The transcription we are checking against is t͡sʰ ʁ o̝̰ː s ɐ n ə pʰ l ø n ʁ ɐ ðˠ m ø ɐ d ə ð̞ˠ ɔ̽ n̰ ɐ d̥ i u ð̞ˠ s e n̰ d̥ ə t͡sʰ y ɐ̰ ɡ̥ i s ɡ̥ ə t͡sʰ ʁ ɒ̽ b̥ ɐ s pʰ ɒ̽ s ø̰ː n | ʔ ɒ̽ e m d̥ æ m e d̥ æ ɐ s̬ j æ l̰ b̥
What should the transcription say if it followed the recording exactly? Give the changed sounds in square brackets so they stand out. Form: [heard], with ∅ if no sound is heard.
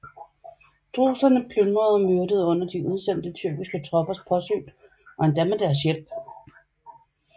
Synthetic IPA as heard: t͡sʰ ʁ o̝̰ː s ɐ n ə pʰ l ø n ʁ ɐ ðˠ m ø ɐ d ə ð̞ˠ ɔ̽ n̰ ɐ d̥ i u ð̞ˠ s e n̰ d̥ ə t͡sʰ y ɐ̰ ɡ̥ i s ɡ̥ ə t͡sʰ ʁ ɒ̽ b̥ ɐ s pʰ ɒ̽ s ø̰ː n | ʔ ɒ̽ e [n] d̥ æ m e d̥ æ ɐ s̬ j [e] l̰ b̥